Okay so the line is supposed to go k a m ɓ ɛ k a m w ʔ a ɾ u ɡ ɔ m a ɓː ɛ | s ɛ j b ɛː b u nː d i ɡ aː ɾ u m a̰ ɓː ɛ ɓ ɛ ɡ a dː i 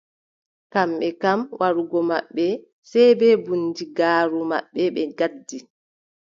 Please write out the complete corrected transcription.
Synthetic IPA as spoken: k a m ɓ ɛ k a m w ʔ a ɾ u ɡ ɔ m a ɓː ɛ | s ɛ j b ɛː b u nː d i ɡ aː ɾ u m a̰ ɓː ɛ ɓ ɛ ɡ a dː i